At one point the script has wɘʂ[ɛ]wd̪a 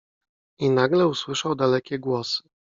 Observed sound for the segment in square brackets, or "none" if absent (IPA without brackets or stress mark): a